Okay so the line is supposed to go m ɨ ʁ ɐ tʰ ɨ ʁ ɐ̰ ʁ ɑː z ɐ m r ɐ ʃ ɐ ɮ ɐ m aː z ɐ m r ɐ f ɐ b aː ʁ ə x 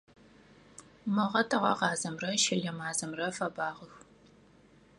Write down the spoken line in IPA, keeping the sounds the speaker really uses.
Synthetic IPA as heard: m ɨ ʁ ɐ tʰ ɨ ʁ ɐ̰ ʁ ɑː z ɐ m r ɐ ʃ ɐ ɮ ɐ m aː z ɐ m r ɐ f ɐ b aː ʁ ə x